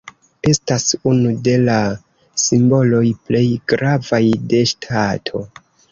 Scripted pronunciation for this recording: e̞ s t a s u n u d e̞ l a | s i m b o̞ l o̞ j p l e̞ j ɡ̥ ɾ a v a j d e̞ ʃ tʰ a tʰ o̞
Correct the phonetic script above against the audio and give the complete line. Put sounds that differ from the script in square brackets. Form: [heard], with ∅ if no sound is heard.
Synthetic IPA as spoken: e̞ s t a s u n u d e̞ l a | s i m b o̞ l o̞ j p l e̞ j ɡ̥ ɾ a v a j d e̞ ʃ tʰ a tʰ o̞